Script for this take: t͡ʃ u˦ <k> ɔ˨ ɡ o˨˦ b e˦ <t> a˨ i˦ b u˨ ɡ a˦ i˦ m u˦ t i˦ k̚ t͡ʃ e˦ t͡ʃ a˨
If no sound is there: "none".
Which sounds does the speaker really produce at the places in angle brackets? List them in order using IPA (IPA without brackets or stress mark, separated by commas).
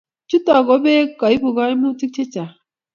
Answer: t, k